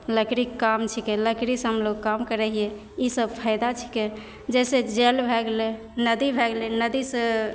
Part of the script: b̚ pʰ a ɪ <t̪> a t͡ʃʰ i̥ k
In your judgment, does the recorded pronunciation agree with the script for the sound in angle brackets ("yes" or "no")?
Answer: no